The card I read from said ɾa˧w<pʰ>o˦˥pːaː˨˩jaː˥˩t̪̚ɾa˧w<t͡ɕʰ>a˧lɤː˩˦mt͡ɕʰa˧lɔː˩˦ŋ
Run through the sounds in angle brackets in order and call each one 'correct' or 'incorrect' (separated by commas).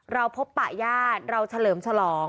correct, correct